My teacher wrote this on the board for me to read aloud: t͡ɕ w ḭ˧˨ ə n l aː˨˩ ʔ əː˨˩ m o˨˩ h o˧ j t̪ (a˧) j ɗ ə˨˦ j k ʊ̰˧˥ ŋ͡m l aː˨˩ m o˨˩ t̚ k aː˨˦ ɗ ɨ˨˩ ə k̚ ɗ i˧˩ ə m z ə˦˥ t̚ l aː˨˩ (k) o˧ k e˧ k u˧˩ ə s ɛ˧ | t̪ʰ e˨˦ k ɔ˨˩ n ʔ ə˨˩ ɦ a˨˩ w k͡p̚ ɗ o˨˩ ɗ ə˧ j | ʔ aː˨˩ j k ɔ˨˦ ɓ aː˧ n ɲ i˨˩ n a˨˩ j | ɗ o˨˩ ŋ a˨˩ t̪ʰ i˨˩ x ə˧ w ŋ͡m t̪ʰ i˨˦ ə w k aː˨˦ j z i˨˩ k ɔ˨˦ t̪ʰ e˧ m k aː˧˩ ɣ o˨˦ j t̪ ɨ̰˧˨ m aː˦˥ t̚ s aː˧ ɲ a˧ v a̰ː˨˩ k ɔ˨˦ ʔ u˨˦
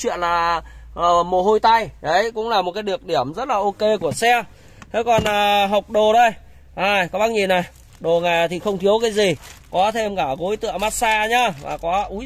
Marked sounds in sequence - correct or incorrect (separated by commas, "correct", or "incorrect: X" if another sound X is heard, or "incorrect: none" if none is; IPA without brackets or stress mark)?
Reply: correct, incorrect: ʔ